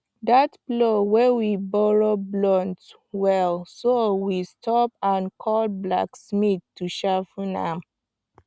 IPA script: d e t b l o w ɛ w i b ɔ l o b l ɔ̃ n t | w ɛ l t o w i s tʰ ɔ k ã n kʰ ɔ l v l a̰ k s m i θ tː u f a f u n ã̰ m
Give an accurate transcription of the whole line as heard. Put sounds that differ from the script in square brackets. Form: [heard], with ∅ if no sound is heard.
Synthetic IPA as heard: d [a] t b l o w ɛ w i b ɔ [ɹ] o b l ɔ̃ n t | w ɛ l [s] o w i s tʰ ɔ [p] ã n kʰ ɔ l [b] l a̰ k s m i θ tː u [ʃ] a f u n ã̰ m

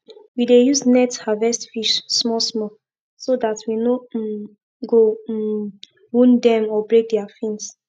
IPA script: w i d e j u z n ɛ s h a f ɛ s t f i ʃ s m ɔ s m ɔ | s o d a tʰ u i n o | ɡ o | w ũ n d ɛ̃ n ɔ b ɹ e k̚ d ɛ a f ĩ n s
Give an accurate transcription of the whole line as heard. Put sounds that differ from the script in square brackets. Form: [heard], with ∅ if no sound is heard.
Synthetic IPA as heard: w i d e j u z n ɛ [t] h a [v] ɛ s t f i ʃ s m ɔ s m ɔ | s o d a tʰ [w] i n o | ɡ o | w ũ n d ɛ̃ [m] ɔ b ɹ e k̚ d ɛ a f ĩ n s

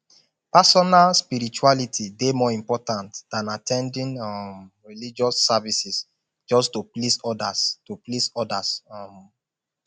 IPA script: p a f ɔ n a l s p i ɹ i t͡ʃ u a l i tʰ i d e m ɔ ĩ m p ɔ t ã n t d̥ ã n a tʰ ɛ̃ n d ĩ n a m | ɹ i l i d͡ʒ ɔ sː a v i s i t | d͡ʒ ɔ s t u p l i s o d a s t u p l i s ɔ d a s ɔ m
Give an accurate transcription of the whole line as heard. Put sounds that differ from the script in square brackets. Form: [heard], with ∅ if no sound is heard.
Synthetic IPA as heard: p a [s] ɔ n a l s p i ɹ i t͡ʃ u a l i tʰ i d e m ɔ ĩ m p ɔ t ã n t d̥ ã n a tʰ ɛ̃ n d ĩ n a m | ɹ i l i d͡ʒ ɔ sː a v i s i [s] | d͡ʒ ɔ s t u p l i s [ɔ] d a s t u p l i s ɔ d a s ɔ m

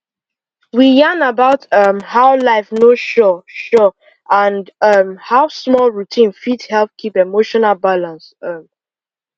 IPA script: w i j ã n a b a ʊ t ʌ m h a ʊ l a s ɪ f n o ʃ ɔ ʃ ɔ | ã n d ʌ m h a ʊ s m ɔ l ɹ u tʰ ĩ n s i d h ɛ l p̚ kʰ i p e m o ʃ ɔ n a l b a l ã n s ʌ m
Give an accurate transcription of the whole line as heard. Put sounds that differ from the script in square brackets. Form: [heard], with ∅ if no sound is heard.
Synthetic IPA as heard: w i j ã n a b a ʊ t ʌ m h a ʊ l a [∅] ɪ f n o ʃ ɔ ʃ ɔ | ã n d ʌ m h a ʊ s m ɔ l ɹ u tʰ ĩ n [f] i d h ɛ l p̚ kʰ i p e m o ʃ ɔ n a l b a l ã n s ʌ m

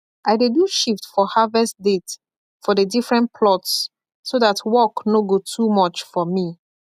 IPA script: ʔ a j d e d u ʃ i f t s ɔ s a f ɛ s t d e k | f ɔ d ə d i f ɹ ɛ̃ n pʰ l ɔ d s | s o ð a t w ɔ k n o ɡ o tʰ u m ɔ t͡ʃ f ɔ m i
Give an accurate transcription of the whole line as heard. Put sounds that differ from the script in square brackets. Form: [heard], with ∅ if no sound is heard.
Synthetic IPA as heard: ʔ a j d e d u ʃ i f t [f] ɔ [h] a [v] ɛ s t d e [t] | f ɔ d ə d i f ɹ ɛ̃ n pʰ l ɔ [t] s | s o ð a t w ɔ k n o ɡ o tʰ u m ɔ t͡ʃ f ɔ m i

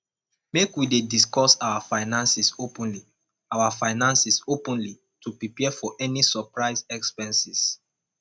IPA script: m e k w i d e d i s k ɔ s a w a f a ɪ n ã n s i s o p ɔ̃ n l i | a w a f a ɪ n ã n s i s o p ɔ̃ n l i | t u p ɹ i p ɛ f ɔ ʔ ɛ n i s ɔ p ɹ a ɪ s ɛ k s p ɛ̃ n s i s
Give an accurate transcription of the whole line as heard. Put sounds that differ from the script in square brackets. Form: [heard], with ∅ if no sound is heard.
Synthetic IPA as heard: m e k w i d e d i s k ɔ s a w a f a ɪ n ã n s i s o p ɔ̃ n l i | a w a f a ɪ n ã n s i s o p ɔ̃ n l i | t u p ɹ i p ɛ f ɔ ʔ ɛ n i s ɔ p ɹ a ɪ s ɛ k s p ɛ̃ n s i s

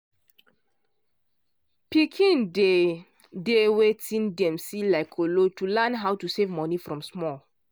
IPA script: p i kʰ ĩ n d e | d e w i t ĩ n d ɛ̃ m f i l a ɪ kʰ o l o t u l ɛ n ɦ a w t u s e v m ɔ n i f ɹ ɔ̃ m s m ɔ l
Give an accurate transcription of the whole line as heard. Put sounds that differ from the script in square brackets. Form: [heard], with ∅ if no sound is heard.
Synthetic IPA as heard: p i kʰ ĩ n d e | d e w [e] t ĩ n d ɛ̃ m [s] i l a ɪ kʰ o l o t u l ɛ n ɦ a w t u s e v m ɔ n i f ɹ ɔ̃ m s m ɔ l

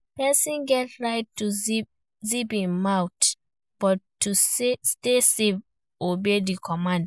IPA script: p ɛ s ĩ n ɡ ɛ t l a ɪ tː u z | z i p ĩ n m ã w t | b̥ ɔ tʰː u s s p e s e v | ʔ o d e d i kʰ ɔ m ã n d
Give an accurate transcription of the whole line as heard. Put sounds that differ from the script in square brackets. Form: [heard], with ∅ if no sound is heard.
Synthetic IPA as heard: p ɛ s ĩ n ɡ ɛ t [ɹ] a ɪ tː u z | z i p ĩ n m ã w t | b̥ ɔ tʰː u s s [t] e s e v | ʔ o [b] e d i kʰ ɔ m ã n d

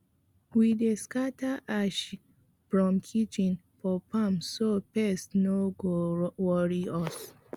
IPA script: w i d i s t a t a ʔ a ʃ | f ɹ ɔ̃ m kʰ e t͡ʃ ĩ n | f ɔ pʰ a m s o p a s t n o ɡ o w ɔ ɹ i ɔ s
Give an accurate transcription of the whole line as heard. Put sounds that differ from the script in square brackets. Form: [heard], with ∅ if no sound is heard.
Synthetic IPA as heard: w i d [e] s [k] a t a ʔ a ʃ | f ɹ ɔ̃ m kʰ [i] t͡ʃ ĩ n | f ɔ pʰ a m s o p [ɛ] s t n o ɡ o w ɔ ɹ i ɔ s

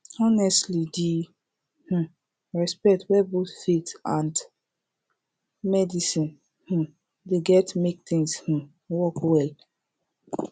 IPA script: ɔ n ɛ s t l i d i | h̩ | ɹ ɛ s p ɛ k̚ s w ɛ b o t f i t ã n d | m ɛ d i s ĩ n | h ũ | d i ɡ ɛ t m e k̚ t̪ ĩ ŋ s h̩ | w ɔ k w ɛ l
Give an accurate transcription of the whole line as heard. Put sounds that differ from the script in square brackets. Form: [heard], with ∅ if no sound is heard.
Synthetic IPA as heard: ɔ n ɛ s t l i d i | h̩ | ɹ ɛ s p ɛ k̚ [t] w ɛ b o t f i t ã n d | m ɛ d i s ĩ n | h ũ | d [e] ɡ ɛ t m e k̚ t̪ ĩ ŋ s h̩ | w ɔ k w ɛ l

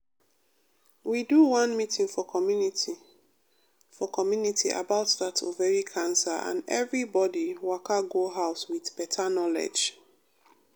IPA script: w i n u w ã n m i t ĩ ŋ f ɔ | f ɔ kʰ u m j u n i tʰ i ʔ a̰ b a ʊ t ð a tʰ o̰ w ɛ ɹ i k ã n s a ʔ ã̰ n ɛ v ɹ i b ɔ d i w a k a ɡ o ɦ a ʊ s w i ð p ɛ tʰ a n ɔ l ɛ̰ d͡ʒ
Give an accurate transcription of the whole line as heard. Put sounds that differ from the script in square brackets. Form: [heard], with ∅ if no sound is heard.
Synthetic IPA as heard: w i [d] u w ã n m i t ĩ ŋ f ɔ | f ɔ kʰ [ɔ] m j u n i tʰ i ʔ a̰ b a ʊ t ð a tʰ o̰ [v] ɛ ɹ i [kʰ] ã n s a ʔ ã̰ n ɛ v ɹ i b ɔ d i w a k a ɡ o ɦ a ʊ s w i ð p ɛ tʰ a n ɔ l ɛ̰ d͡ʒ

